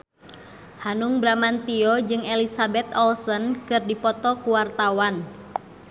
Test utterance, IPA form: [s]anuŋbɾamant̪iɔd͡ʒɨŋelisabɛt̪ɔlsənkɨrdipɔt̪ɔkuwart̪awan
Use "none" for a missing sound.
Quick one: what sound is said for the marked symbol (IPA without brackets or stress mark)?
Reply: h